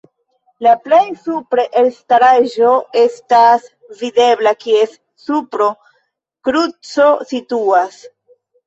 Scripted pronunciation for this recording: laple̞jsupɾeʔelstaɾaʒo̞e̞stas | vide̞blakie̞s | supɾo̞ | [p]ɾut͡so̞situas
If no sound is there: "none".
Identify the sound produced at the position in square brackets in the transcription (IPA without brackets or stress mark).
k